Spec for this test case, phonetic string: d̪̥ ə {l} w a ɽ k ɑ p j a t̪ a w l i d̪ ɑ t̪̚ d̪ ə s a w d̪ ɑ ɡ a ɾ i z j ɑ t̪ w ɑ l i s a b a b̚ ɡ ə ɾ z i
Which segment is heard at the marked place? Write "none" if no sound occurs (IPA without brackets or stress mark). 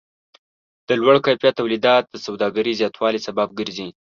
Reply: l